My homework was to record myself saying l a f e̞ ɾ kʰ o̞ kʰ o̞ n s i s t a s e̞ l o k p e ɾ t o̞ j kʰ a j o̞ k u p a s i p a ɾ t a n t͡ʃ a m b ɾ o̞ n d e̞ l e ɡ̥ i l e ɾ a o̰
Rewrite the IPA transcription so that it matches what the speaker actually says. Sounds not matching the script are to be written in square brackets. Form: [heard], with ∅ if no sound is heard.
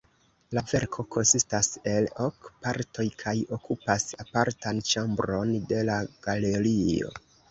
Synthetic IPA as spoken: l a [v] e̞ ɾ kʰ o̞ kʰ o̞ n s i s t a s e̞ l o k p [a] ɾ t o̞ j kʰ a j o̞ k u p a s [a] p a ɾ t a n t͡ʃ a m b ɾ o̞ n d e̞ l [a] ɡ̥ [a] l e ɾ [i] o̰